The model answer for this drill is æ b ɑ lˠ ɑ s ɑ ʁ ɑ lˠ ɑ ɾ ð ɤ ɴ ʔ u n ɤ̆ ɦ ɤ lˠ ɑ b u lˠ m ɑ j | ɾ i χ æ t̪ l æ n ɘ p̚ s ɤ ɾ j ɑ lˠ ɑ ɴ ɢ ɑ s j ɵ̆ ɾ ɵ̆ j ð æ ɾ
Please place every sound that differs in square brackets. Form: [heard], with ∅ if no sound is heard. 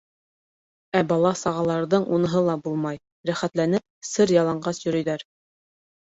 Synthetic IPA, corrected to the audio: æ b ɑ lˠ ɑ s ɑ ʁ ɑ lˠ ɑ ɾ ð ɤ ɴ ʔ u n ɤ̆ ɦ ɤ lˠ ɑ b u lˠ m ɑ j | ɾ [æ] χ æ t̪ l æ n ɘ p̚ s ɤ ɾ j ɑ lˠ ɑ ɴ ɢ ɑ s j ɵ̆ ɾ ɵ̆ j ð æ ɾ